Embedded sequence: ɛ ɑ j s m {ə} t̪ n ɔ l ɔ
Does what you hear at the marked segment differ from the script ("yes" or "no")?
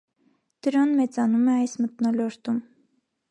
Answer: no